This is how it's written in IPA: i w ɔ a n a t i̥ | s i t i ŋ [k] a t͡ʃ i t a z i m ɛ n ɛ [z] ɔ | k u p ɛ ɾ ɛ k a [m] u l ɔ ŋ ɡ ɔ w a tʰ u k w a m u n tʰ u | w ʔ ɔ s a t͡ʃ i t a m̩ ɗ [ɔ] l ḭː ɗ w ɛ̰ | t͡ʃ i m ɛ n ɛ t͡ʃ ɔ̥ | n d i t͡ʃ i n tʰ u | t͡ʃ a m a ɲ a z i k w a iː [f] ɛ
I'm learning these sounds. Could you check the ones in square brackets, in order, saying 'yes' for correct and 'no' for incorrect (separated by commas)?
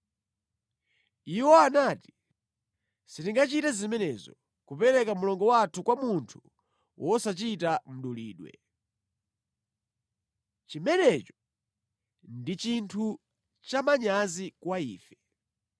no, yes, yes, no, yes